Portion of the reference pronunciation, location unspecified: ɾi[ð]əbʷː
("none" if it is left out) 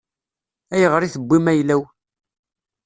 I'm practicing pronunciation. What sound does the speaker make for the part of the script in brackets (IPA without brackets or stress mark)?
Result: θ